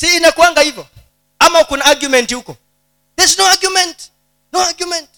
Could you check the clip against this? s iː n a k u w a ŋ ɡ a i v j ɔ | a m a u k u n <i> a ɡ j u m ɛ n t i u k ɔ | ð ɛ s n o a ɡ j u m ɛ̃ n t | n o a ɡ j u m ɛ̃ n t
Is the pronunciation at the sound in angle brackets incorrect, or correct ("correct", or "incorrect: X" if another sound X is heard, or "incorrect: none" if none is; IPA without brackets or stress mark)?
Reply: incorrect: a